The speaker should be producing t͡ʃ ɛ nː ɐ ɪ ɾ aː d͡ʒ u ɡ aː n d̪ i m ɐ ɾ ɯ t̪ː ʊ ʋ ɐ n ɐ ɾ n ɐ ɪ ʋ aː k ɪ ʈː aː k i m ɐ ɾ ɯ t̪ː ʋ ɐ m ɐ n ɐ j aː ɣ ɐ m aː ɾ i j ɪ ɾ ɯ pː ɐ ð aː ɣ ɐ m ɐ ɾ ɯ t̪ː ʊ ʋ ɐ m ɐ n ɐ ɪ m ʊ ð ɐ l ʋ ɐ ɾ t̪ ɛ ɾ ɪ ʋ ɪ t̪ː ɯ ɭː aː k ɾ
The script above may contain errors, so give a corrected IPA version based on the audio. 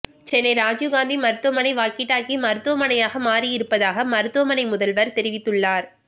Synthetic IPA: t͡ʃ ɛ nː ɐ ɪ ɾ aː d͡ʒ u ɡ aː n d̪ i m ɐ ɾ ɯ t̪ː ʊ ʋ ɐ m ɐ n ɐ ɪ ʋ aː k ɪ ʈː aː k i m ɐ ɾ ɯ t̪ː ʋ ɐ m ɐ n ɐ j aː ɣ ɐ m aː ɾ i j ɪ ɾ ɯ pː ɐ ð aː ɣ ɐ m ɐ ɾ ɯ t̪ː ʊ ʋ ɐ m ɐ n ɐ ɪ m ʊ ð ɐ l ʋ ɐ ɾ t̪ ɛ ɾ ɪ ʋ ɪ t̪ː ɯ ɭː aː ɾ